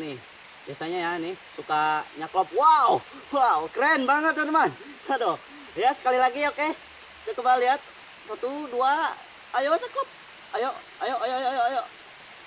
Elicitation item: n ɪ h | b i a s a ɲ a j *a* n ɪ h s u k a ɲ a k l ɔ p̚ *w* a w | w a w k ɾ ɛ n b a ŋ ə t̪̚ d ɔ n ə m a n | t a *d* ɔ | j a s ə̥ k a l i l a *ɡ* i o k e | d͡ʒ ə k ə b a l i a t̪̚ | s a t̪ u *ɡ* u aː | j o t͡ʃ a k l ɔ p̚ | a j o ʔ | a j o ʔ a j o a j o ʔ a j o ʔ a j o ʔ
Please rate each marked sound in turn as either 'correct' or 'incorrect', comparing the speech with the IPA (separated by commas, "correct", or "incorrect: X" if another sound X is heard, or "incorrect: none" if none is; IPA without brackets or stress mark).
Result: correct, correct, correct, correct, incorrect: d